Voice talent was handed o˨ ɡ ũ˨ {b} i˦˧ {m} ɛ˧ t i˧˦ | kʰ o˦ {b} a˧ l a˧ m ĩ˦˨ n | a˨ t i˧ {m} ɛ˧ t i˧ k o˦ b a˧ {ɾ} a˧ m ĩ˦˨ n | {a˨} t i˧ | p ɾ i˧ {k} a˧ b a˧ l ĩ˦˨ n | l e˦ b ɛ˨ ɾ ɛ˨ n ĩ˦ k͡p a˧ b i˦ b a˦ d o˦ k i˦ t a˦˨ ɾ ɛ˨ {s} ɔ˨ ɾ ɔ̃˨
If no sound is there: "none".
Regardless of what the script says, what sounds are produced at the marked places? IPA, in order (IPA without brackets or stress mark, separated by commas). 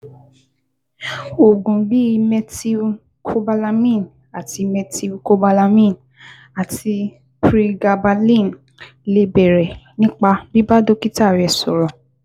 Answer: b, m, b, m, l, a˨, ɡ, s